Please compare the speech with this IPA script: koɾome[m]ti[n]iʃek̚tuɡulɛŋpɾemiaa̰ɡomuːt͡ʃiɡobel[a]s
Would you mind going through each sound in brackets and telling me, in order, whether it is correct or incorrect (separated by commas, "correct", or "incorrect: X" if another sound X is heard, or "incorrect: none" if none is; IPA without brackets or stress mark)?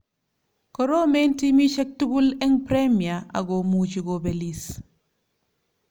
incorrect: n, incorrect: m, incorrect: i